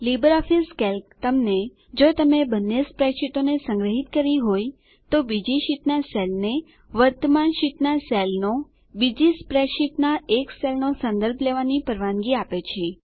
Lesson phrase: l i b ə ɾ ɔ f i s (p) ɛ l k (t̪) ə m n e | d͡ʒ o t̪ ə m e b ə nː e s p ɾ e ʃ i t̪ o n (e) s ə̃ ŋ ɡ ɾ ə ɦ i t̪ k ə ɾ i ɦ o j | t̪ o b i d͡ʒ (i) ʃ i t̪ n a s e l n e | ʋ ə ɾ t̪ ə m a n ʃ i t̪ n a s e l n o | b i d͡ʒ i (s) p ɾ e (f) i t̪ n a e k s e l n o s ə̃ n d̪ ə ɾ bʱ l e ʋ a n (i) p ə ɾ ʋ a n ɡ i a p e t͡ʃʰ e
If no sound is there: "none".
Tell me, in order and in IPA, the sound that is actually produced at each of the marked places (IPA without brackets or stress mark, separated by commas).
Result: k, t̪, e, i, s, ʃ, i